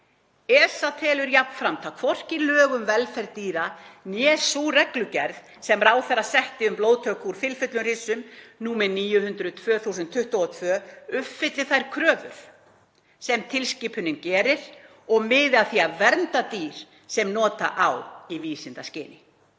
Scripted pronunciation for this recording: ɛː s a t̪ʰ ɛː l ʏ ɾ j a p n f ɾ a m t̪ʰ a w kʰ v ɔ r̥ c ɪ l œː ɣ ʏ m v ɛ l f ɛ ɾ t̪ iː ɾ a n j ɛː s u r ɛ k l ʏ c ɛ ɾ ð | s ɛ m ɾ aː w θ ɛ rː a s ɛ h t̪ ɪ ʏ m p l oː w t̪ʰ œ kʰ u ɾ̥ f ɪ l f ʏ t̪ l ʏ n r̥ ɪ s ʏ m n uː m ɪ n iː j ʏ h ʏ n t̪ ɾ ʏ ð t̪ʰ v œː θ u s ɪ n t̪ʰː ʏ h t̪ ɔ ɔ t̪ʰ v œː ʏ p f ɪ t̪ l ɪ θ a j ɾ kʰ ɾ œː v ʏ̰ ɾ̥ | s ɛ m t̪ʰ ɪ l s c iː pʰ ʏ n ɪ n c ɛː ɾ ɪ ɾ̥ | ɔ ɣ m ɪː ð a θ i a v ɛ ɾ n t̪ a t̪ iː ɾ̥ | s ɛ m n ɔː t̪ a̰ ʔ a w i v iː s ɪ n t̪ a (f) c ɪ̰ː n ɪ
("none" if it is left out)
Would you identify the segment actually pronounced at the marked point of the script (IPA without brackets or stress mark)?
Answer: s